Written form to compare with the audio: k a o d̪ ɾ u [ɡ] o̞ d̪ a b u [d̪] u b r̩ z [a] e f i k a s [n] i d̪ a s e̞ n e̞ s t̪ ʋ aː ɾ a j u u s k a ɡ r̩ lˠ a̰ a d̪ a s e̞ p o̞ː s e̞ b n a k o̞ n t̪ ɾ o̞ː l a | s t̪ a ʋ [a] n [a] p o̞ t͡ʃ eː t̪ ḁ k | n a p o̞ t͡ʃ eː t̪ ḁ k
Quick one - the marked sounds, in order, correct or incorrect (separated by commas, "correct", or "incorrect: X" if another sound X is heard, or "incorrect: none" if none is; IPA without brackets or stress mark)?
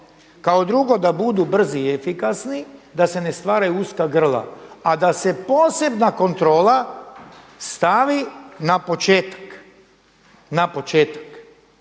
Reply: correct, correct, incorrect: i, correct, incorrect: i, correct